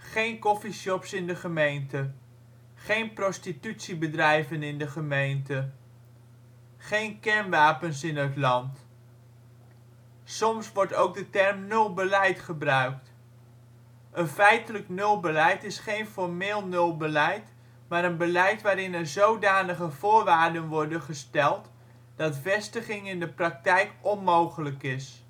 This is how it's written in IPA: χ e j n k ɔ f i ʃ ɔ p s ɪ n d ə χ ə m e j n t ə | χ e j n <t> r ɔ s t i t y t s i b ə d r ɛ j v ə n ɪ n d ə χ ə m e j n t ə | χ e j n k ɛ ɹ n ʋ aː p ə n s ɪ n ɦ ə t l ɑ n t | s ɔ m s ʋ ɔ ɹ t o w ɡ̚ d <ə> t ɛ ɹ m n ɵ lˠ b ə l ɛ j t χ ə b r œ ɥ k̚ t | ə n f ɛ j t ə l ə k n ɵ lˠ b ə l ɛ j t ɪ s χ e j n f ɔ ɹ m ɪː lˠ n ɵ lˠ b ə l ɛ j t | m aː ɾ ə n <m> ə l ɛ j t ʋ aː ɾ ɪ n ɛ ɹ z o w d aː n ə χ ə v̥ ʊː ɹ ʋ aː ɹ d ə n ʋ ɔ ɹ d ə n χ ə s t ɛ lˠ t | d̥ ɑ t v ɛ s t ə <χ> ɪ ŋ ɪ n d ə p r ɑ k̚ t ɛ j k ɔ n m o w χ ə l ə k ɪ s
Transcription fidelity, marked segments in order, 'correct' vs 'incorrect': incorrect, correct, incorrect, correct

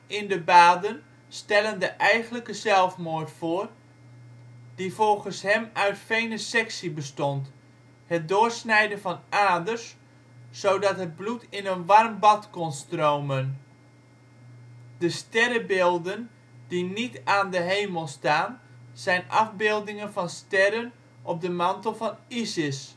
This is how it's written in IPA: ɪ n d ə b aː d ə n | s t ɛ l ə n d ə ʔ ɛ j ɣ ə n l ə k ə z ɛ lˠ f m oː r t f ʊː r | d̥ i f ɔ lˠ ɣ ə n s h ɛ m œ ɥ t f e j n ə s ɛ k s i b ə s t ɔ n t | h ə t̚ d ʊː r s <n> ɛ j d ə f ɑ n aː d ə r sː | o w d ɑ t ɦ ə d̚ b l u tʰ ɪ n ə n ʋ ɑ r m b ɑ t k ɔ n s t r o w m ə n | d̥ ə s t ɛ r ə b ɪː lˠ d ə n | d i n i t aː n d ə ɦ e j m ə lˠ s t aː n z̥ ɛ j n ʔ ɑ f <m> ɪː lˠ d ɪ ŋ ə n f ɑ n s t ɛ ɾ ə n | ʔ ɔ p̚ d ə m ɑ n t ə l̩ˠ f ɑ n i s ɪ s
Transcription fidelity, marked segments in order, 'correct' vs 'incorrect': correct, incorrect

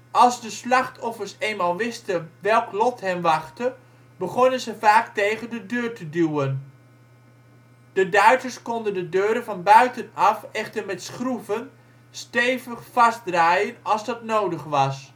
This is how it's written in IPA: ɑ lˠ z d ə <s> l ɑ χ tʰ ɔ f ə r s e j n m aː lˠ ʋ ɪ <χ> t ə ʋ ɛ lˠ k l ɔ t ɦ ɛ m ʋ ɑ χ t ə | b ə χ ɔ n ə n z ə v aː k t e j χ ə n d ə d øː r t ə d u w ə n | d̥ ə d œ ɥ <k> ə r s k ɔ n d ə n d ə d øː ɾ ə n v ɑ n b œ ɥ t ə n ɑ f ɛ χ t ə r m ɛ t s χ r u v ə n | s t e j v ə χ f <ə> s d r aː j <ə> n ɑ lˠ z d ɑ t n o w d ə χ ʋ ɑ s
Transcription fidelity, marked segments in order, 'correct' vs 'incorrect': correct, incorrect, incorrect, incorrect, correct

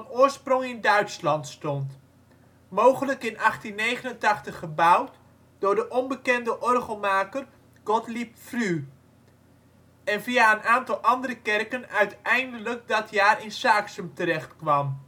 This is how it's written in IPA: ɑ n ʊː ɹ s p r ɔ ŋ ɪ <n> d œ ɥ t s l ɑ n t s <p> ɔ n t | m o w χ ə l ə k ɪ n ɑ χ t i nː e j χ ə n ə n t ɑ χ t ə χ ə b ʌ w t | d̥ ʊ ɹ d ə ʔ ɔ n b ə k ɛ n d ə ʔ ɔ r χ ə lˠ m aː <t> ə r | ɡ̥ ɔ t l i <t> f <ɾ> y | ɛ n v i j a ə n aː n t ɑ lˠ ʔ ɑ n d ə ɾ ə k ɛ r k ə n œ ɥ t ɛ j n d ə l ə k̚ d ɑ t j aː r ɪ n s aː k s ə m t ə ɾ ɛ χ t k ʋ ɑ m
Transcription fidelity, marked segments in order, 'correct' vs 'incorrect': correct, incorrect, incorrect, incorrect, incorrect

